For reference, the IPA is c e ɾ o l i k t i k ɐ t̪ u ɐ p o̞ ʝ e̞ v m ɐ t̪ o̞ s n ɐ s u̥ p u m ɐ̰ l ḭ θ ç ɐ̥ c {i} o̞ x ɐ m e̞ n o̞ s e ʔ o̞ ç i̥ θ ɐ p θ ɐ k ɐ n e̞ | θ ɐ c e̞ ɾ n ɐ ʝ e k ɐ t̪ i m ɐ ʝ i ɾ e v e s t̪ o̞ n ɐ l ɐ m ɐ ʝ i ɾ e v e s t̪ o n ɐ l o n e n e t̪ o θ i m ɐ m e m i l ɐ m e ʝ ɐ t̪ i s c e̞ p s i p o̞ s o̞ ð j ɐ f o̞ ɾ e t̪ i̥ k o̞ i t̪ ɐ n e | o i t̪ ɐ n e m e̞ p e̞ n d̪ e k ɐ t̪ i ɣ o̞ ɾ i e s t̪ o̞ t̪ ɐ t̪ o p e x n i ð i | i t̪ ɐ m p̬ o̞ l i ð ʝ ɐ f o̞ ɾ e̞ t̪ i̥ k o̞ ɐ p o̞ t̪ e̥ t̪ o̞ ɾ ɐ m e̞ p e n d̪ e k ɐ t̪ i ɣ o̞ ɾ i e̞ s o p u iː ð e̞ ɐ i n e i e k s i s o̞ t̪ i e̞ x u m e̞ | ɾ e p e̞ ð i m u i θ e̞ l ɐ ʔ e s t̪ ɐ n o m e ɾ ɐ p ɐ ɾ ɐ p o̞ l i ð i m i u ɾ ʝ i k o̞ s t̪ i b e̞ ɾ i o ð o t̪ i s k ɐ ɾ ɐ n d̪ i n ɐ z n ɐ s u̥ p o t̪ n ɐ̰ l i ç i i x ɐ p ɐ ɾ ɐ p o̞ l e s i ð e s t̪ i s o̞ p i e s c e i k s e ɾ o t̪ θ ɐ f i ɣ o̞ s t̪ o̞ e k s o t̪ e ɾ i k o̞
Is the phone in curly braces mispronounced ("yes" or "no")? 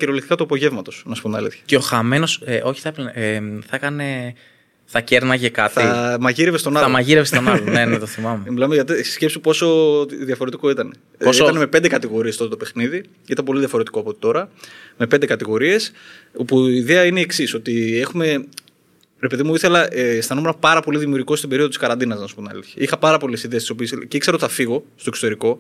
yes